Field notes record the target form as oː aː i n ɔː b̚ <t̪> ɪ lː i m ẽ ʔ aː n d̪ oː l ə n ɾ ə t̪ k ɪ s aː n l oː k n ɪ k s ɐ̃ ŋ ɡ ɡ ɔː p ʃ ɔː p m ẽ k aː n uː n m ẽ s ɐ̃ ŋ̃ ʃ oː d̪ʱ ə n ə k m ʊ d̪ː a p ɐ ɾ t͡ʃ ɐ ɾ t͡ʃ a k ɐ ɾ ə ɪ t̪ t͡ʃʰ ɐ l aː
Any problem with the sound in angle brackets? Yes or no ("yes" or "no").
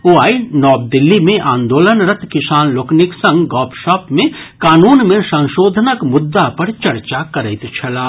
yes